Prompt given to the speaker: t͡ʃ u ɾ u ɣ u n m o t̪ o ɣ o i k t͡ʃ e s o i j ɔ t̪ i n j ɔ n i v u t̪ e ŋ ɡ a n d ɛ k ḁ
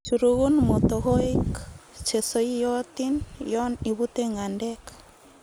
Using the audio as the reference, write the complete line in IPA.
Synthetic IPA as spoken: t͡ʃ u ɾ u ɣ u n m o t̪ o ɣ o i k t͡ʃ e s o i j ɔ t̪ i n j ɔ n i β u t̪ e ŋ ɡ a n d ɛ k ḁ